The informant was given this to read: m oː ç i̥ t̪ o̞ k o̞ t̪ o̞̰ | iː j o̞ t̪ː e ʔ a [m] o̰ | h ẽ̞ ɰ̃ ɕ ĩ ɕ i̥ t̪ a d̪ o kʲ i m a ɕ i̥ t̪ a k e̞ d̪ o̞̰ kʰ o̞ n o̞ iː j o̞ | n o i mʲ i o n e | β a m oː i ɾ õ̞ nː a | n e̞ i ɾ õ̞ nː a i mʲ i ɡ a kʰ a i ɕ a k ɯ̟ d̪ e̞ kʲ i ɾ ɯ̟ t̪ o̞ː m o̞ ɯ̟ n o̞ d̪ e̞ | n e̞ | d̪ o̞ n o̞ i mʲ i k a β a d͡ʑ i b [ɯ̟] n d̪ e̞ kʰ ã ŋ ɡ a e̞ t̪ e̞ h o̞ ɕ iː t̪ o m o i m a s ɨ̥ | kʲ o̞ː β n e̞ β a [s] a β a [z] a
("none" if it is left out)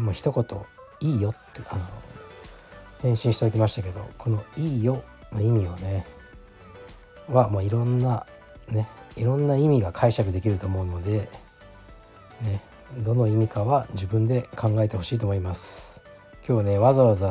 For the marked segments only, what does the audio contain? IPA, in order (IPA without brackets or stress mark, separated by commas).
n, ɯ̟̃, z, z